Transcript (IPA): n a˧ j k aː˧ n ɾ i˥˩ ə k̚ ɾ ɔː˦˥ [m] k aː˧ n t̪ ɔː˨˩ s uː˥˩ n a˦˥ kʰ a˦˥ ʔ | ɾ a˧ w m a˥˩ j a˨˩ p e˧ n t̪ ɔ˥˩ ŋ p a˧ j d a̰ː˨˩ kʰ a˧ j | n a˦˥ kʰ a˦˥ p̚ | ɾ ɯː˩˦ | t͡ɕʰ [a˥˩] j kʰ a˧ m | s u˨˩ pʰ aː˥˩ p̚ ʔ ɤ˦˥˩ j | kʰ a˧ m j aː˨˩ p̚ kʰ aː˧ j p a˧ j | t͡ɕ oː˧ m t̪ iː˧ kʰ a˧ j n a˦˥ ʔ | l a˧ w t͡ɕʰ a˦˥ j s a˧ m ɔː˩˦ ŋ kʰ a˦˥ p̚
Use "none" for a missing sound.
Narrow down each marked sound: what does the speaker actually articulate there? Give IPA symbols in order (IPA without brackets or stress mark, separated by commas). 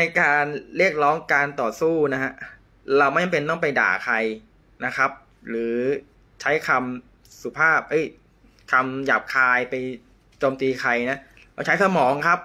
ŋ, a˦˥